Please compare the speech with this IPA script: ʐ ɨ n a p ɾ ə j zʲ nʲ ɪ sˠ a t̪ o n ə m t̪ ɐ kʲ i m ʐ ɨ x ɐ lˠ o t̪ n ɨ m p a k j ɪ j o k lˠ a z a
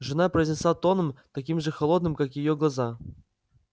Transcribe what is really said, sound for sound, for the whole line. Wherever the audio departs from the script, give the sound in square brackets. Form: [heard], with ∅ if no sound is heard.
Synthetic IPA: ʐ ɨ n a p ɾ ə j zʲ nʲ ɪ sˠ a t̪ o n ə m t̪ ɐ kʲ i m ʐ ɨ x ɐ lˠ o [d̪] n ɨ m [k] a k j ɪ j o [ɡ] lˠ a z a